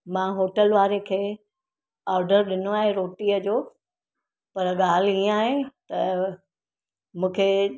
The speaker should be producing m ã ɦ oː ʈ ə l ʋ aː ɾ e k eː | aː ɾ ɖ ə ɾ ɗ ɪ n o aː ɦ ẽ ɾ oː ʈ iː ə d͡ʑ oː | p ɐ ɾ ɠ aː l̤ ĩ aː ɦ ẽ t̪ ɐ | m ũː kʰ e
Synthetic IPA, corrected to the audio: m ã ɦ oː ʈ ə l ʋ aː ɾ e kʰ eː | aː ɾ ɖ ə ɾ ɗ ɪ n o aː ɦ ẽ ɾ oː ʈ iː ə d͡ʑ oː | p ɐ ɾ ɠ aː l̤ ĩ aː ɦ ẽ t̪ ɐ | m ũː kʰ e